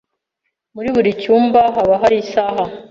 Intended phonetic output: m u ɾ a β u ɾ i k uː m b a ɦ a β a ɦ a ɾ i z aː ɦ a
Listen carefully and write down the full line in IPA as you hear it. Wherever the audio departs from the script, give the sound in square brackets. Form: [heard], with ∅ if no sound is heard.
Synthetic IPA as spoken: m u ɾ [i] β u ɾ i [c] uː m b a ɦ a β a ɦ a ɾ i [s] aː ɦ a